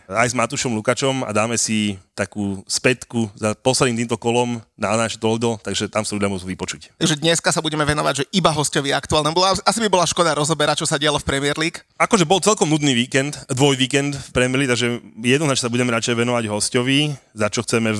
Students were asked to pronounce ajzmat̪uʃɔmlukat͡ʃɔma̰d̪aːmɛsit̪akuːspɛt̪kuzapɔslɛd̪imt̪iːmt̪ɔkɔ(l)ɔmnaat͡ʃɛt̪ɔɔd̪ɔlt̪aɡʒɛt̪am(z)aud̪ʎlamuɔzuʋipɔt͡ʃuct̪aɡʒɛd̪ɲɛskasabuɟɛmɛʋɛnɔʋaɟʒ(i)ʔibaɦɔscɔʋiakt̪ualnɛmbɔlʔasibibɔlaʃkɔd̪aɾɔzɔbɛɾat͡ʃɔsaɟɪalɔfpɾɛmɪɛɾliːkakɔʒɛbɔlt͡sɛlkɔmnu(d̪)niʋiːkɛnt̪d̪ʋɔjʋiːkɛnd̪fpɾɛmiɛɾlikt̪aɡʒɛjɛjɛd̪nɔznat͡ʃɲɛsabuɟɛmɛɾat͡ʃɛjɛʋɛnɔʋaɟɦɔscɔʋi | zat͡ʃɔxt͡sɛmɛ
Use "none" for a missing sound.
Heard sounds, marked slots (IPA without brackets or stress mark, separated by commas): l, s, ɛ, d̪